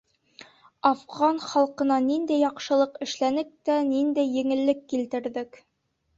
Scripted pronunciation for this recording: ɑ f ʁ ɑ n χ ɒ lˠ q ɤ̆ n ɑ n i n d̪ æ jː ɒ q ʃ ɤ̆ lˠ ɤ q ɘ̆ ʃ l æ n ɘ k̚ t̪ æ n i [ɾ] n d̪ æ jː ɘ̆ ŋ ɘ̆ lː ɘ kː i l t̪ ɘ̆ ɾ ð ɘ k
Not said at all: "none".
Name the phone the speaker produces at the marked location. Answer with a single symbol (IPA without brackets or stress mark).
none